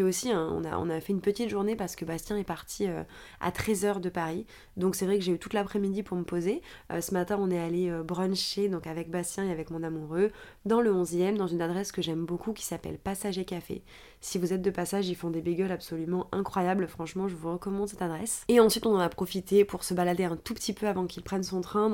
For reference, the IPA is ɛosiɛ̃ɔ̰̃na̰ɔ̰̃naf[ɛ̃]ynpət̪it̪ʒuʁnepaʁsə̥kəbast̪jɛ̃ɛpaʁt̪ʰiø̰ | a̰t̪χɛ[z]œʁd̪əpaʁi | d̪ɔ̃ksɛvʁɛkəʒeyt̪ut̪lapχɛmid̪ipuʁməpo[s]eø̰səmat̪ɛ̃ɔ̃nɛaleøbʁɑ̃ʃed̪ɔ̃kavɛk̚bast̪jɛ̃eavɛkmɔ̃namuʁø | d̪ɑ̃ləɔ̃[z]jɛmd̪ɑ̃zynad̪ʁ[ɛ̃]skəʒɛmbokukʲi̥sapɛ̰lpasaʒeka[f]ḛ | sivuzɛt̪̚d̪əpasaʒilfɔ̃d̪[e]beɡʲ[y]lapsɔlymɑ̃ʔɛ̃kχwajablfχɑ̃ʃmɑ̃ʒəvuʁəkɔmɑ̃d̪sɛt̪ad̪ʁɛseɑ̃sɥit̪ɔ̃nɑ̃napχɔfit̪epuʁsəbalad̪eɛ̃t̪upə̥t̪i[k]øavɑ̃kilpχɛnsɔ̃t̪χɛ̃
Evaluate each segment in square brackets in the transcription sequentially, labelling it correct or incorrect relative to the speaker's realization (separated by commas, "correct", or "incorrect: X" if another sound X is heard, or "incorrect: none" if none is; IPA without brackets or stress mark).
incorrect: ɛ, correct, incorrect: z, correct, incorrect: ɛ, correct, correct, incorrect: œ, incorrect: p